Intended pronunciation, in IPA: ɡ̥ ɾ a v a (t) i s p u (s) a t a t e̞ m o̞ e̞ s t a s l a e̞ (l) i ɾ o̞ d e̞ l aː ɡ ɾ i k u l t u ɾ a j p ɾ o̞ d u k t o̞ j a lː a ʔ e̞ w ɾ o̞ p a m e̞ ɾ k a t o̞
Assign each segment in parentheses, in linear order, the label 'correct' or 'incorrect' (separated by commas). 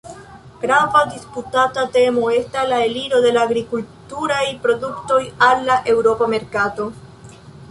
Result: incorrect, incorrect, correct